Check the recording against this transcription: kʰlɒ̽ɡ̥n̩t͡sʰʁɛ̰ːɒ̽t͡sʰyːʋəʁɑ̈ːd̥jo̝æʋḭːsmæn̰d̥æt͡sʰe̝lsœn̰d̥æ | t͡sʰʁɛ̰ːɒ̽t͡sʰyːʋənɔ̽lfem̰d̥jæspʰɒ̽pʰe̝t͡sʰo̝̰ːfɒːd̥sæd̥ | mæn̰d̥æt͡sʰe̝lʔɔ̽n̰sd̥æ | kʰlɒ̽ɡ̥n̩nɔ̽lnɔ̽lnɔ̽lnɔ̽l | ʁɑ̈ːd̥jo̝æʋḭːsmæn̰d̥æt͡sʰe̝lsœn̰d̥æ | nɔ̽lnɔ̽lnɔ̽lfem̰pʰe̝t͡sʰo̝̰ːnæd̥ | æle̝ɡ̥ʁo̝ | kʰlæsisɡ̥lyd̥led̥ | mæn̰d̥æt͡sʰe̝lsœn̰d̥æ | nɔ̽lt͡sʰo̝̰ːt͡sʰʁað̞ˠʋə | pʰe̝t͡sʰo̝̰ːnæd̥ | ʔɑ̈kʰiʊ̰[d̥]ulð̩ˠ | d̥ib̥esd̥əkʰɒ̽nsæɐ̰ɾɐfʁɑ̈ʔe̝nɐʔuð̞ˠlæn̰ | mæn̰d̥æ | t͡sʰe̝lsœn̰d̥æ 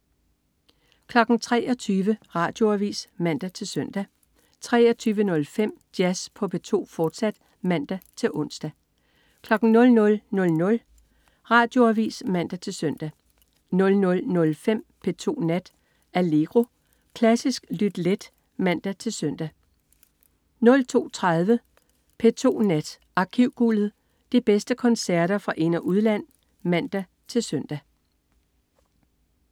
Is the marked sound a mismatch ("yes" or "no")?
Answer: yes